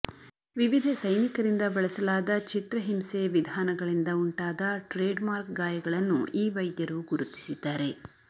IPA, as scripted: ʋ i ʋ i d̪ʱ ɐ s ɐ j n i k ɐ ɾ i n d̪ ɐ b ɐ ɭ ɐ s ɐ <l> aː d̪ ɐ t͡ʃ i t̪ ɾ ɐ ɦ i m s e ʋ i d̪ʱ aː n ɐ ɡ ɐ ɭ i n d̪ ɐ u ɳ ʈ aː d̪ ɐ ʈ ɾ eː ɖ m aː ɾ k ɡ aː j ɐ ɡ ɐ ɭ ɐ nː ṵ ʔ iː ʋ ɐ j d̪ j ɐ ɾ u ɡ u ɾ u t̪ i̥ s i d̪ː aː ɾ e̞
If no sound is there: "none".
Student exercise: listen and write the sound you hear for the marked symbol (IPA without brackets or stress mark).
l